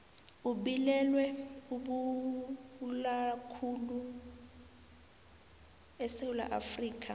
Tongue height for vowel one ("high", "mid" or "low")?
high